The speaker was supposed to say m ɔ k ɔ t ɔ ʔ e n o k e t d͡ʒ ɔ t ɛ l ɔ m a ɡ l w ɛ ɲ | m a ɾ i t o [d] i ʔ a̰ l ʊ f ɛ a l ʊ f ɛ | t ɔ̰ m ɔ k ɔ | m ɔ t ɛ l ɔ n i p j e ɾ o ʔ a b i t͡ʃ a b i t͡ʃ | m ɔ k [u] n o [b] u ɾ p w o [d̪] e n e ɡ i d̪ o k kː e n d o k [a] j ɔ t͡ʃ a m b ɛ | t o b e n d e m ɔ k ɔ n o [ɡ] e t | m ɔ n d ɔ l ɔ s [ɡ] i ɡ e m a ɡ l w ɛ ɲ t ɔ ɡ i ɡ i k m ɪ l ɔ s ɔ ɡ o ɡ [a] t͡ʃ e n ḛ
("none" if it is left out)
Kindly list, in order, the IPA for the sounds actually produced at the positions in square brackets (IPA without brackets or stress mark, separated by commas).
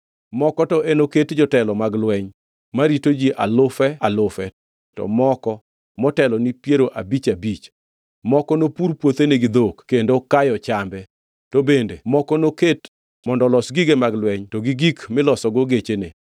d͡ʒ, ɔ, p, t̪, a, k, ɡ, e